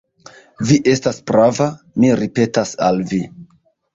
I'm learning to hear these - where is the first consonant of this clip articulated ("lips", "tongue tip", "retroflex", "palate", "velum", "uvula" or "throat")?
lips